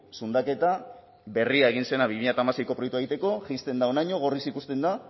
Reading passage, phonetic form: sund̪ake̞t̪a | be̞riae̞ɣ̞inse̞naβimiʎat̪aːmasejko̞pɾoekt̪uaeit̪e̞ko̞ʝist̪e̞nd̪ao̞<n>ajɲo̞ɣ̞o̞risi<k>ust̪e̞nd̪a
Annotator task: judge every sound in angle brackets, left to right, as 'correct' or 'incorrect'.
correct, correct

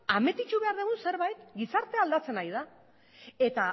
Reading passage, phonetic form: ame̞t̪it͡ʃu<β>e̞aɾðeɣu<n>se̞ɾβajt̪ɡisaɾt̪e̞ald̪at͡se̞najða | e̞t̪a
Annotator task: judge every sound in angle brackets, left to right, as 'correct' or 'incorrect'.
correct, correct

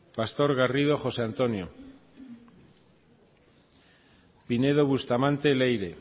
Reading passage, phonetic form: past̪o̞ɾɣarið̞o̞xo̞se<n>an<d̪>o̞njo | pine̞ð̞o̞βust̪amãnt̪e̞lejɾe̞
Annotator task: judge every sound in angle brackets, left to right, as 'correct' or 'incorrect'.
incorrect: none, incorrect: t̪

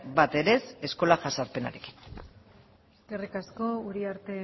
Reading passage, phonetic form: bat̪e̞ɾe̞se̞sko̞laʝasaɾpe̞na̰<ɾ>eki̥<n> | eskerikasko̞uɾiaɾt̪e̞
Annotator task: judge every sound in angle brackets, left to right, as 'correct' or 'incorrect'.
correct, correct

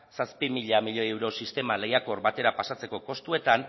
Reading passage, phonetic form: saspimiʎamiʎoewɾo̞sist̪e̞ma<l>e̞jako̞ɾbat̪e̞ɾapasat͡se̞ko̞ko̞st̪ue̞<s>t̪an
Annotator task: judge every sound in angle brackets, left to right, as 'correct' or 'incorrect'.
correct, incorrect: none

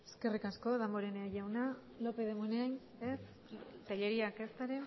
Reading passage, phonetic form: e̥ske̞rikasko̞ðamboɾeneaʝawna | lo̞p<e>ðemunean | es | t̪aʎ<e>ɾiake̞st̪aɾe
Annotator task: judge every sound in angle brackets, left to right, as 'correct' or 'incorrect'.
correct, correct

